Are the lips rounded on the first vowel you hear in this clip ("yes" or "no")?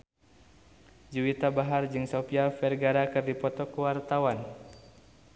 yes